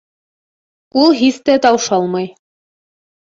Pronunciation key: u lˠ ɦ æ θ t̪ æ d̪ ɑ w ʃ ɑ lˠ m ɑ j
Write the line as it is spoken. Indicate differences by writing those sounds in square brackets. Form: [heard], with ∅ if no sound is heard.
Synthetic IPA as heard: u lˠ ɦ [i] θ t̪ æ [t̪] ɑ w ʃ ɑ lˠ m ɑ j